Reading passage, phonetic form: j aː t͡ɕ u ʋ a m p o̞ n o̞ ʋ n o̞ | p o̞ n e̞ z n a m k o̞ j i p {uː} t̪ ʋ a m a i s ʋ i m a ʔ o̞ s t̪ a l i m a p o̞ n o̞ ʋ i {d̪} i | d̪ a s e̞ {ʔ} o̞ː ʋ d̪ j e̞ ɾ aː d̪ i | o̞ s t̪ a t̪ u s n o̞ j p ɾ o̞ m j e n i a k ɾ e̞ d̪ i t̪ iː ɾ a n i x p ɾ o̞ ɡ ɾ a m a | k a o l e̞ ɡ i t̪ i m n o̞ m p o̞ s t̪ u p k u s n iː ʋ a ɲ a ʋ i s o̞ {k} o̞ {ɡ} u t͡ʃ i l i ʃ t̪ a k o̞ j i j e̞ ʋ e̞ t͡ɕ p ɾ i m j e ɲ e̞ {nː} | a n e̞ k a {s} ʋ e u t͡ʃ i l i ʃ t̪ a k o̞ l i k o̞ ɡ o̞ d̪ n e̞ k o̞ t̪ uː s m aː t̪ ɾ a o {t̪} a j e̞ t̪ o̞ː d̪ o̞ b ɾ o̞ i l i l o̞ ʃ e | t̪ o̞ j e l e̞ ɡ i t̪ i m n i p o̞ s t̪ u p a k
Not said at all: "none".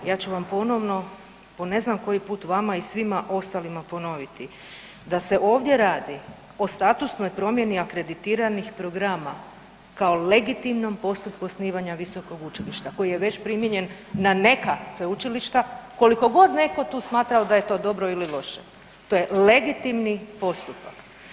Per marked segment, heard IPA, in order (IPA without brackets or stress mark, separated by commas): uː, t̪, ʔ, k, ɡ, nː, s, d̪